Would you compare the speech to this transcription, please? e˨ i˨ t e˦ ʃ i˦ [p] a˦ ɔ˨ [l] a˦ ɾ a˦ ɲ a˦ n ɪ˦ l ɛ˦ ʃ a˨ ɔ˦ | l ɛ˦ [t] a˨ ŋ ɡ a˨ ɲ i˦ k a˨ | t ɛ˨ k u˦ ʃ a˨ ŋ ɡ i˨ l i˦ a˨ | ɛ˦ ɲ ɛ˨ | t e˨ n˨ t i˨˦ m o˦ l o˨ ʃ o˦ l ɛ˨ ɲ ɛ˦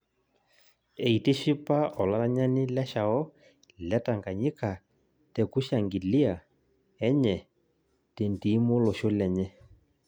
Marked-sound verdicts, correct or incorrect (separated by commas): correct, correct, correct